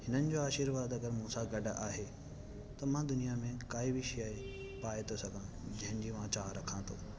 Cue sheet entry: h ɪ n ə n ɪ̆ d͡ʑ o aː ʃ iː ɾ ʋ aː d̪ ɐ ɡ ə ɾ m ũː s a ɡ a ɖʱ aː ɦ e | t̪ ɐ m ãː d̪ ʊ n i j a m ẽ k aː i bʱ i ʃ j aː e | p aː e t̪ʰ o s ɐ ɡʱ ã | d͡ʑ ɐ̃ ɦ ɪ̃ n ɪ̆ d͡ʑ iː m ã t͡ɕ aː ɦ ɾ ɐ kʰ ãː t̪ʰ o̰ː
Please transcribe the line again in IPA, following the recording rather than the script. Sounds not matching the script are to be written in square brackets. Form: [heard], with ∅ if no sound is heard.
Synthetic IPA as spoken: h ɪ n ə n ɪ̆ d͡ʑ o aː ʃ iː ɾ ʋ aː d̪ ɐ ɡ ə ɾ m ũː s a ɡ [ɐ] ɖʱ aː ɦ e | t̪ ɐ m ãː d̪ ʊ n i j a m ẽ k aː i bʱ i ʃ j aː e | p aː e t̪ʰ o s ɐ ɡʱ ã | d͡ʑ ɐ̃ ɦ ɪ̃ n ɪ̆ d͡ʑ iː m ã t͡ɕ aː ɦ ɾ ɐ kʰ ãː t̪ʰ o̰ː